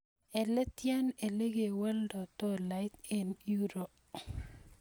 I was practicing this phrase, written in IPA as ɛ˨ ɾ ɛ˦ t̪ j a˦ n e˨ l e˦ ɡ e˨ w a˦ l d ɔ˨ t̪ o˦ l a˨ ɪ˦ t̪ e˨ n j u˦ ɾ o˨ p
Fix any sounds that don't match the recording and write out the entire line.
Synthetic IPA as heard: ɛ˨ l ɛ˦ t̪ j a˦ n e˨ l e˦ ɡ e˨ w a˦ l d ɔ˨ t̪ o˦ l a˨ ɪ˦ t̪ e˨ n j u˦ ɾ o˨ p